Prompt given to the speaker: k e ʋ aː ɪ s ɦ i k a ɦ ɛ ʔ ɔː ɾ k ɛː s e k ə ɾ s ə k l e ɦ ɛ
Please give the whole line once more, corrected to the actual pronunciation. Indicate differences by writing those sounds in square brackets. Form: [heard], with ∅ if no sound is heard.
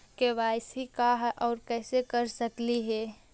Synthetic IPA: k e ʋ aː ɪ s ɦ i k a ɦ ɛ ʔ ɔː ɾ k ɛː s e k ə ɾ s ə k l [i] ɦ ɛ